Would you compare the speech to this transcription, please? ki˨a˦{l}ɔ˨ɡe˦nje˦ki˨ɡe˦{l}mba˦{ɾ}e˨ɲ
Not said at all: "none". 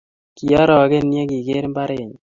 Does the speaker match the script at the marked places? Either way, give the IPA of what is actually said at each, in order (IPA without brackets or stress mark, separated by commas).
ɾ, ɾ, ɾ